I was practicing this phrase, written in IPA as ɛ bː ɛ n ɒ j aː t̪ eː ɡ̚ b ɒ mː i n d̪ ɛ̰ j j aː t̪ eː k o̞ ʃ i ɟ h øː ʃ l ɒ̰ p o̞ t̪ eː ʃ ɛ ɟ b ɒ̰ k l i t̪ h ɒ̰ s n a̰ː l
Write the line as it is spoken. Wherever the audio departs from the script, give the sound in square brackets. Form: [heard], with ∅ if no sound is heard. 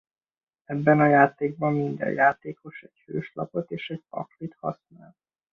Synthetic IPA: ɛ bː ɛ n ɒ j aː t̪ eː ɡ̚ b ɒ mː i n d̪ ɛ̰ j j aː t̪ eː k o̞ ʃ [ɛ] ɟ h øː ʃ l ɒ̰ p o̞ t̪ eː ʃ ɛ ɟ [p] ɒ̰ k l i t̪ h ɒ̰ s n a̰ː l